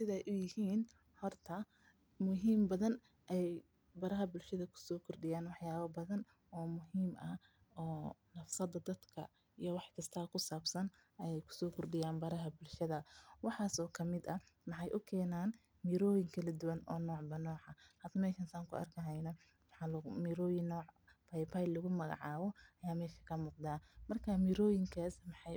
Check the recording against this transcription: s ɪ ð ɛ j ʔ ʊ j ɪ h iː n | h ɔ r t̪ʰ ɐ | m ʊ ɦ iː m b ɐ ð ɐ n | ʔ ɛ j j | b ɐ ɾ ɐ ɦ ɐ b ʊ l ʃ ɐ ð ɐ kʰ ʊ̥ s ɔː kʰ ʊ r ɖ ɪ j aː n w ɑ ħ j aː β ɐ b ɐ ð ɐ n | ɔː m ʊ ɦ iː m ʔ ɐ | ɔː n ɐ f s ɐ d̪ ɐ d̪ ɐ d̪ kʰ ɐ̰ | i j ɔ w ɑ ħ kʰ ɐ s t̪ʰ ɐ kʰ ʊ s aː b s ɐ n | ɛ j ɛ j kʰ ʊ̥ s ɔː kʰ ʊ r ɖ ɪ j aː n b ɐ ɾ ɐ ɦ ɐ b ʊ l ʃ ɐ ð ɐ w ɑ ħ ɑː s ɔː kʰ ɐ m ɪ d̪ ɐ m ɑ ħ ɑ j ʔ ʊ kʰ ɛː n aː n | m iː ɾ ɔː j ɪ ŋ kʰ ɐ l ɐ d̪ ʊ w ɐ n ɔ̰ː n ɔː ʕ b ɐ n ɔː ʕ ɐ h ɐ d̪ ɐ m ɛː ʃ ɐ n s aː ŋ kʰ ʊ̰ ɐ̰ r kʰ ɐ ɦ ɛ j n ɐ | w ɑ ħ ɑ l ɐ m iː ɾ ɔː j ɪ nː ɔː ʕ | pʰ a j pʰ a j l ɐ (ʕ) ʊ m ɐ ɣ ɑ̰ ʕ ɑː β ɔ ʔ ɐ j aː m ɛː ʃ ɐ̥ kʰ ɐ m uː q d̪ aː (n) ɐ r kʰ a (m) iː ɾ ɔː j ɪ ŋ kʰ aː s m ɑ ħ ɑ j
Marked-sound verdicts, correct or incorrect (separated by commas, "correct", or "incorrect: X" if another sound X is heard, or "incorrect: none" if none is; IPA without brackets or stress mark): incorrect: ɣ, incorrect: m, correct